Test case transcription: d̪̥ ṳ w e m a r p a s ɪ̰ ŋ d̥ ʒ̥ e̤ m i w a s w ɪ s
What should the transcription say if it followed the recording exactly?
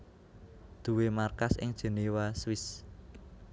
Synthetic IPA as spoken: d̪̥ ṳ w e m a r k a s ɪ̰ ŋ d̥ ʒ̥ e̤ n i w a s w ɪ s